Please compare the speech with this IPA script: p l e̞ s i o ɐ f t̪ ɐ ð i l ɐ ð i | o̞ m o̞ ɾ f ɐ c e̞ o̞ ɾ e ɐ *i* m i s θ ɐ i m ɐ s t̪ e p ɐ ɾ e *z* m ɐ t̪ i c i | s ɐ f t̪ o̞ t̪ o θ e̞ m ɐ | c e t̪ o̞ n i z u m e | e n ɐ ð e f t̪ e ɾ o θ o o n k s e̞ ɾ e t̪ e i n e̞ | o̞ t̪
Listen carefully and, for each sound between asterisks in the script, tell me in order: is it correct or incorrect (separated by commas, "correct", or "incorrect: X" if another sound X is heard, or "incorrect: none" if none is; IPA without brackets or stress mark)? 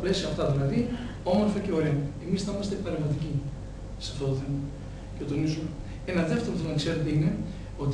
incorrect: e, incorrect: v